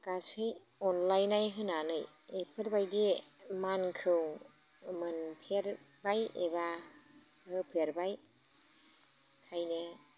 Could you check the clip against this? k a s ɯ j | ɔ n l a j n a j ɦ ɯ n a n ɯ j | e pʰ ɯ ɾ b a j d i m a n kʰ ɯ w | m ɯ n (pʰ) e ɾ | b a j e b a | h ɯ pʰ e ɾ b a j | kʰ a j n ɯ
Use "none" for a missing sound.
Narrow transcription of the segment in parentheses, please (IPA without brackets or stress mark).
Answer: pʰ